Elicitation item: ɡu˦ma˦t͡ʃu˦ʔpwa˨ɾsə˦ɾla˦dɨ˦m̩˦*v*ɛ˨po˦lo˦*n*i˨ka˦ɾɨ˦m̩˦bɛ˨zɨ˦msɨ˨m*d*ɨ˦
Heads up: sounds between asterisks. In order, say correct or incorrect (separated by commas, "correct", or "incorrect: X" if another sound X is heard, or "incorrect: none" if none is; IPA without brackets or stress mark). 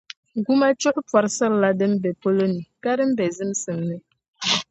incorrect: b, correct, incorrect: n